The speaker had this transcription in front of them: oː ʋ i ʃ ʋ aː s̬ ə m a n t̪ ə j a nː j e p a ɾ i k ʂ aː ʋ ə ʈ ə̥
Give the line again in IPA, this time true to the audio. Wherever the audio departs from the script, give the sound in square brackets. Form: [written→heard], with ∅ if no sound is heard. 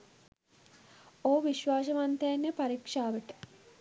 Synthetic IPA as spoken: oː ʋ i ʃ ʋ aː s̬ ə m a n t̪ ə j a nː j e p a ɾ i k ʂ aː ʋ ə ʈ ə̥